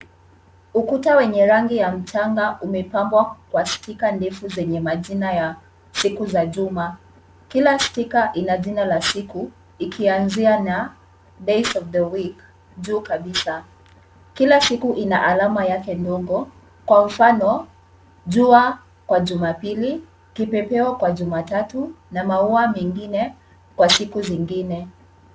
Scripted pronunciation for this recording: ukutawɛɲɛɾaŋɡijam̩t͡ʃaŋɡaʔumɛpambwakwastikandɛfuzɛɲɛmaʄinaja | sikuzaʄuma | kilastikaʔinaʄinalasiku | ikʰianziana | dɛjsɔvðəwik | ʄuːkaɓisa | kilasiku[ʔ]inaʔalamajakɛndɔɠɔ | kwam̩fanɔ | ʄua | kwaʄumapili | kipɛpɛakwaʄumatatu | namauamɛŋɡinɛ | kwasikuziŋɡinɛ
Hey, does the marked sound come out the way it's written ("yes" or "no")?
yes